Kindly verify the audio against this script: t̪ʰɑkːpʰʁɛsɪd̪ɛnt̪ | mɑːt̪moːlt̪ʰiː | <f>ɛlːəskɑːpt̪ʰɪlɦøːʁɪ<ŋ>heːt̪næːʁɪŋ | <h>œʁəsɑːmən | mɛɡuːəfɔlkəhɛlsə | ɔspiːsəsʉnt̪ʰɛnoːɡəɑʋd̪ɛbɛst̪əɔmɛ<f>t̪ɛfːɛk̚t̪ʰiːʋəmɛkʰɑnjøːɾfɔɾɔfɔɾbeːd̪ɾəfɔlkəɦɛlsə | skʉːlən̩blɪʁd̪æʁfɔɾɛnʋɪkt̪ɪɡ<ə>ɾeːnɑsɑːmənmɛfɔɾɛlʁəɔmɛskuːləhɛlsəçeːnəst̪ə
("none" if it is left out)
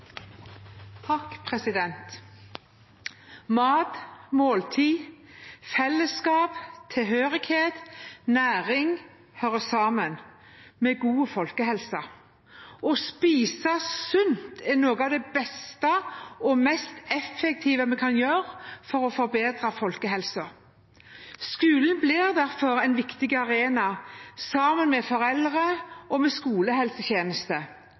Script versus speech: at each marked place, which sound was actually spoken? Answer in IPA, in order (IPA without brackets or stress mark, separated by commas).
f, ɡ, h, s, ɑ